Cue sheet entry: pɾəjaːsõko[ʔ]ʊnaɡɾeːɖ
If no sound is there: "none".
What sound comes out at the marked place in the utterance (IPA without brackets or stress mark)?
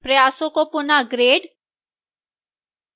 p